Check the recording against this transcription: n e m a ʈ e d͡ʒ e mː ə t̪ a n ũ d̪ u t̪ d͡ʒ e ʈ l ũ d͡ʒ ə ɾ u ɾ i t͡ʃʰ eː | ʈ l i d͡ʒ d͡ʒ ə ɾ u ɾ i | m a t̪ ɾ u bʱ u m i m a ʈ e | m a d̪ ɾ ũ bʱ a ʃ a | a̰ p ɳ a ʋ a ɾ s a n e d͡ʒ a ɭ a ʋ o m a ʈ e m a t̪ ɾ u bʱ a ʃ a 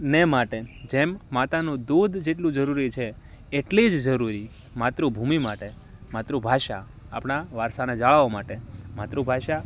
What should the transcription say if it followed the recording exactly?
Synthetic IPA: n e m a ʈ e d͡ʒ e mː a t̪ a n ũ d̪ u d̪ d͡ʒ e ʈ l ũ d͡ʒ ə ɾ u ɾ i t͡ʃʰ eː | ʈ l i d͡ʒ d͡ʒ ə ɾ u ɾ i | m a t̪ ɾ u bʱ u m i m a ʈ e | m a t̪ ɾ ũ bʱ a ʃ a | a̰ p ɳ a ʋ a ɾ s a n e d͡ʒ a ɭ a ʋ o m a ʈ e m a t̪ ɾ u bʱ a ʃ a